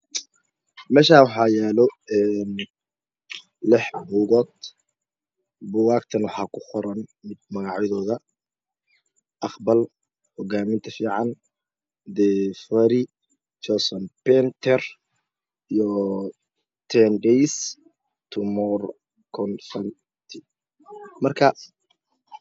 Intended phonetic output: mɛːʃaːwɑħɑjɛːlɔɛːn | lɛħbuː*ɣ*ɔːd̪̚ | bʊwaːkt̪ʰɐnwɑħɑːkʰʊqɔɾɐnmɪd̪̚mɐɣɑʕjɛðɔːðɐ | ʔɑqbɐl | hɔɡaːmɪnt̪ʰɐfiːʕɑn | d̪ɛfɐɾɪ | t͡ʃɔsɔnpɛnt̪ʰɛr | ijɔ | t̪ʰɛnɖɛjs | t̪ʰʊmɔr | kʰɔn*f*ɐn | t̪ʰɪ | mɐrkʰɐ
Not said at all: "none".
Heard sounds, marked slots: ɣ, f

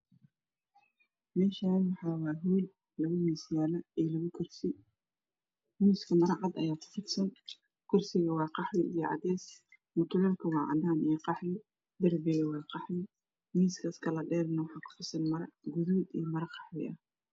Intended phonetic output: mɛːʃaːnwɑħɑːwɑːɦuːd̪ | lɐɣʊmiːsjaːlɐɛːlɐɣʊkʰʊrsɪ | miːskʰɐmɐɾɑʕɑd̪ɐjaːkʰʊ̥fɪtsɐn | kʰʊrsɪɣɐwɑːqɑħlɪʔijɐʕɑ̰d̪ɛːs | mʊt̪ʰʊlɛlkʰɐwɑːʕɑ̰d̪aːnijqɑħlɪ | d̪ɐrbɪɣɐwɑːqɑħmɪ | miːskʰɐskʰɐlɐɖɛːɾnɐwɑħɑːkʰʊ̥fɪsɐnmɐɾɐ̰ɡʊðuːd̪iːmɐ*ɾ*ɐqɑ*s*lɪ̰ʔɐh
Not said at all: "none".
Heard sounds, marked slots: ɾ, ħ

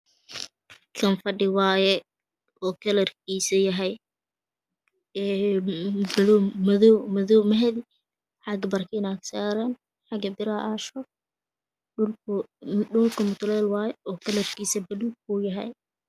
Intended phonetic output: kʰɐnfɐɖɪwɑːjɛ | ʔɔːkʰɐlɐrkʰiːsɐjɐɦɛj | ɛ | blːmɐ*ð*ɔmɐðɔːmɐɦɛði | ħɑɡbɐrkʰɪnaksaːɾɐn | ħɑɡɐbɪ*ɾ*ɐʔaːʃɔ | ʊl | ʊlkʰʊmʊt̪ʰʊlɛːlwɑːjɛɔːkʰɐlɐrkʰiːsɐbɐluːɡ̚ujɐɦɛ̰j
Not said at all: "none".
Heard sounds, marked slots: ð, ɾ

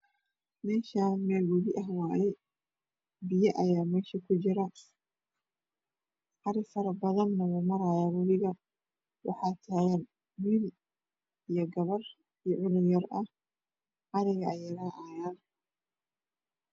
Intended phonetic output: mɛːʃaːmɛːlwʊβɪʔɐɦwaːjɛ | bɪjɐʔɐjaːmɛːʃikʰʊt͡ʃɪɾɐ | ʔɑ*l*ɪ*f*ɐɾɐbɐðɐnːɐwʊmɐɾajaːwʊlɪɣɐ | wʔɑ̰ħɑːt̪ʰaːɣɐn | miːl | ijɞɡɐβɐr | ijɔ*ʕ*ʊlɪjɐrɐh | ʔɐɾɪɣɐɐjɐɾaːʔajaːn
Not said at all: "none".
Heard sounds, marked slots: ɾ, f, ʕ

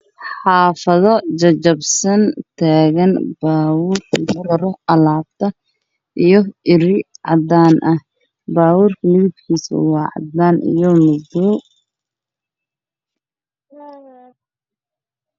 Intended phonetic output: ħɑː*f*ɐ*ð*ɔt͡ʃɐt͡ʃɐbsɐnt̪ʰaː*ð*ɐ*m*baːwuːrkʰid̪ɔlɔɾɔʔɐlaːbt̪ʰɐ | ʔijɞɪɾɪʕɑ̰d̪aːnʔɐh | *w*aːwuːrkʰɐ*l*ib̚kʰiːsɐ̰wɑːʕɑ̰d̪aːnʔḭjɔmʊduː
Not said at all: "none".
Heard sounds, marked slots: f, ð, ɣ, n, b, l

